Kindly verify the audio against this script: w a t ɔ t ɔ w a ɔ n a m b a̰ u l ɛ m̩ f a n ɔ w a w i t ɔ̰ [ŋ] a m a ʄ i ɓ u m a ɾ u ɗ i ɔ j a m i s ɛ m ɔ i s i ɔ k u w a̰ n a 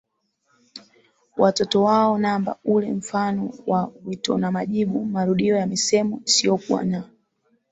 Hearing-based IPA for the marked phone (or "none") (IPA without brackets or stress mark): n